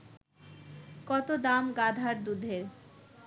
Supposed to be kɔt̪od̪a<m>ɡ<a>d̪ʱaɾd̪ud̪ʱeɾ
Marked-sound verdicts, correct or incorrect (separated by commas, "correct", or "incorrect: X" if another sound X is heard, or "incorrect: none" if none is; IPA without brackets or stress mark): correct, correct